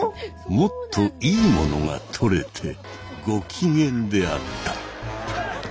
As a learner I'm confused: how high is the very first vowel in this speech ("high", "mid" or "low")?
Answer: mid